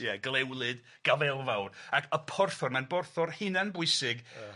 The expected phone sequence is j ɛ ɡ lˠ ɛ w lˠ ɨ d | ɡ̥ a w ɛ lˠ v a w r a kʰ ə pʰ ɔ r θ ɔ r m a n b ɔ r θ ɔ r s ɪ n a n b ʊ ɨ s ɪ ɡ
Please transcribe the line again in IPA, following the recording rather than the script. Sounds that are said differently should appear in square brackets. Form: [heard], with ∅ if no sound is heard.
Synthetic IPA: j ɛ ɡ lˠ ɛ w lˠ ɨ d | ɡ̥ a [v] ɛ lˠ v a w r a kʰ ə pʰ ɔ r θ ɔ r m a n b ɔ r θ ɔ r [h] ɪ n a n b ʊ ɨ s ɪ ɡ